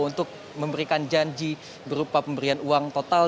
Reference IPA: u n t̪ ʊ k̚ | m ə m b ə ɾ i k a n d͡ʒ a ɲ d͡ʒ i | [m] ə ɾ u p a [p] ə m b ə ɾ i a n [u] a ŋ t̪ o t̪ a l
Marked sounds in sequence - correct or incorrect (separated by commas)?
incorrect, correct, correct